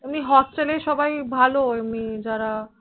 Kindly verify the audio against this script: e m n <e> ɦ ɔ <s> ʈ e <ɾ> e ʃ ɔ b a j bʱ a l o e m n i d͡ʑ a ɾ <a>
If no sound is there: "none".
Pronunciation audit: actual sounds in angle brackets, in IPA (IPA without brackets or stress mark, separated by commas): i, s, l, a